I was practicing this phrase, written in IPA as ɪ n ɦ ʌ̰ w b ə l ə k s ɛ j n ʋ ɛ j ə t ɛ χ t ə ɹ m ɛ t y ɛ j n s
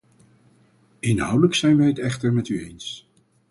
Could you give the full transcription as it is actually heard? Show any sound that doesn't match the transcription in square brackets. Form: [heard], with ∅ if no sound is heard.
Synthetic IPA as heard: ɪ n ɦ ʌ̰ w [d] ə l ə k s ɛ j n ʋ ɛ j ə t ɛ χ t ə ɹ m ɛ t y [e] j n s